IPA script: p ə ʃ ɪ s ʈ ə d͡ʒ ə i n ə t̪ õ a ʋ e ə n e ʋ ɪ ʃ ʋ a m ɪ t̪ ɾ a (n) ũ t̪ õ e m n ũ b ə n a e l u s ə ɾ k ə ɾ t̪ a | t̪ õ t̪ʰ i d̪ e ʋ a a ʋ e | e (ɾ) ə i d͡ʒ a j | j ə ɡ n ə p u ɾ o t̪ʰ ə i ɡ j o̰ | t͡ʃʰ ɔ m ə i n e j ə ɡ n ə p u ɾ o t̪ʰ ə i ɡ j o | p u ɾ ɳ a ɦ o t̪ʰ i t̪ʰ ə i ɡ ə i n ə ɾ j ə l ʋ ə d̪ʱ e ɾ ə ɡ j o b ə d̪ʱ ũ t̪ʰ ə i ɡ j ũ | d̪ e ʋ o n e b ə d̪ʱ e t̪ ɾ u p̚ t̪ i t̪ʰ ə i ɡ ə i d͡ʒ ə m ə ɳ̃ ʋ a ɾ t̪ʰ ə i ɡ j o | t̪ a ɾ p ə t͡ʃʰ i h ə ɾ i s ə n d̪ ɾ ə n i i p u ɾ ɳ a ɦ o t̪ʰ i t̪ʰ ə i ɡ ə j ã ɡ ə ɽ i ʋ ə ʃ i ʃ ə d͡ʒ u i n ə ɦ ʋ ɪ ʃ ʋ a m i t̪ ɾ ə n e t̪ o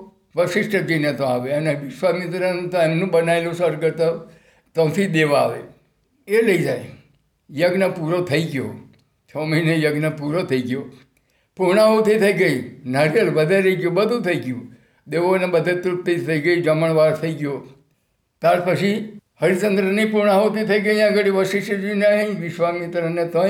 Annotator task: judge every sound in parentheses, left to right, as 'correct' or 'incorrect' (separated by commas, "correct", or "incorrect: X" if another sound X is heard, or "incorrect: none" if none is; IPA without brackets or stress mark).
correct, incorrect: l